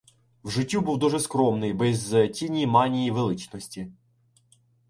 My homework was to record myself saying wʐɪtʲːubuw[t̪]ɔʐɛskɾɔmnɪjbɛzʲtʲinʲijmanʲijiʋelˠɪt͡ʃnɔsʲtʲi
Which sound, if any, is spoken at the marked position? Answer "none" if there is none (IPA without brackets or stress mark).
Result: d̪